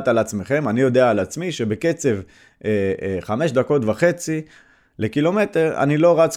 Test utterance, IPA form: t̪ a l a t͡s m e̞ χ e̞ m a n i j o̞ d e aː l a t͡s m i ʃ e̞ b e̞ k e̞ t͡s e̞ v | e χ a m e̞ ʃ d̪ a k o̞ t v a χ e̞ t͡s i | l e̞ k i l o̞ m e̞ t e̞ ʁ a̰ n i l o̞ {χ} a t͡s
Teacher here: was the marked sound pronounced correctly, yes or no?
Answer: no